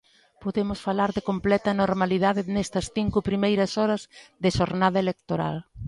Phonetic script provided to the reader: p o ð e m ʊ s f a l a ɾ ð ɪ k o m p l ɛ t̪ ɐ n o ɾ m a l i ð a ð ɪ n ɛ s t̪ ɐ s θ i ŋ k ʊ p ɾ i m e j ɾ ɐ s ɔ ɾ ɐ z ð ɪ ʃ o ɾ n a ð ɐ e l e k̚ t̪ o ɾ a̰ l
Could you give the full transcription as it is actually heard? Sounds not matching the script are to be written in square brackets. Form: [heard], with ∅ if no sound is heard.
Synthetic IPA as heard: p o ð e m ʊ s f a l a ɾ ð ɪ k o m p l ɛ t̪ ɐ n o ɾ m a l i ð a ð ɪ n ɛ s t̪ ɐ s θ i ŋ k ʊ p ɾ i m e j ɾ ɐ s ɔ ɾ ɐ z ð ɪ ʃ o ɾ n a ð ɐ e l e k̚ t̪ o ɾ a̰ l